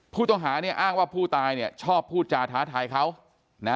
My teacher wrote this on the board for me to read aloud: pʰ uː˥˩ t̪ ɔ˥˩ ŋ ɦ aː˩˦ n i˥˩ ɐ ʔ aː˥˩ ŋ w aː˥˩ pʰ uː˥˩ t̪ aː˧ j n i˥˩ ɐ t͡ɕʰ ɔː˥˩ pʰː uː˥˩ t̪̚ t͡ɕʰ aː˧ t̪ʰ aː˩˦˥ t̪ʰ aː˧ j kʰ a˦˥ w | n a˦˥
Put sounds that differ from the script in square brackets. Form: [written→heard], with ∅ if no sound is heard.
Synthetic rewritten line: pʰ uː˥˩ t̪ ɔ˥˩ ŋ ɦ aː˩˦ n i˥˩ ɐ ʔ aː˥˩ ŋ w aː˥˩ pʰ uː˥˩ t̪ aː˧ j n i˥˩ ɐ t͡ɕʰ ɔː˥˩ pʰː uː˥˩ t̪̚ [t͡ɕʰ→t͡ɕ] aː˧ t̪ʰ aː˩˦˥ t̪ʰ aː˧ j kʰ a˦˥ w | n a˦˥